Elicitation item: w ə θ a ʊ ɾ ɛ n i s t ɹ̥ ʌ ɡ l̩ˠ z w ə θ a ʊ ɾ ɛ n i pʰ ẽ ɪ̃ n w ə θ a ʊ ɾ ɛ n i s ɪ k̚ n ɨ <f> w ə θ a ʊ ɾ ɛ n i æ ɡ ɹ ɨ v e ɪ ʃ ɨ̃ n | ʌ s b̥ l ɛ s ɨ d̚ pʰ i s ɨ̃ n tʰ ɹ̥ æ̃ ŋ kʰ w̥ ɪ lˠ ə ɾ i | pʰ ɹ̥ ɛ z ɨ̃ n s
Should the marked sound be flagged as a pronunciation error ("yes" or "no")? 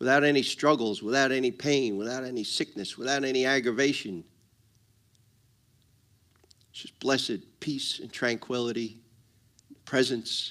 yes